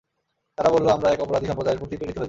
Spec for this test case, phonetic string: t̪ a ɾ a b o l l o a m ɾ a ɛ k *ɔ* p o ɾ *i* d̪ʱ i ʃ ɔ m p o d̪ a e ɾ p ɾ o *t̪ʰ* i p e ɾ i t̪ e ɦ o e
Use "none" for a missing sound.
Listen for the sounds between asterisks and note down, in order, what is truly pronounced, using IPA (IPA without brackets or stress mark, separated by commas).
ɔ, a, t̪